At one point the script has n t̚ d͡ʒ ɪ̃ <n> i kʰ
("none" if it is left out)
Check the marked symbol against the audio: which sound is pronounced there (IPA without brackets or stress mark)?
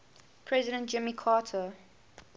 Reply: m